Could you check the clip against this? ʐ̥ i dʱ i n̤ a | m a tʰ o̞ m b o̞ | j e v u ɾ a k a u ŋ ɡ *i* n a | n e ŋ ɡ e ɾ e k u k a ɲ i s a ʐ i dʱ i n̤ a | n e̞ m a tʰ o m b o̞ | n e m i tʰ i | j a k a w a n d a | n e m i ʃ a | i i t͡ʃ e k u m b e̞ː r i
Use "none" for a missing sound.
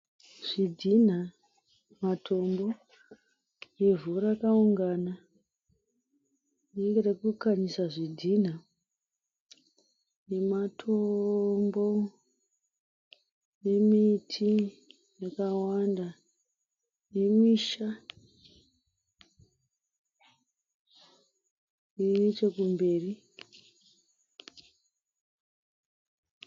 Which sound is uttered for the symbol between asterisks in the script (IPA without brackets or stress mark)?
a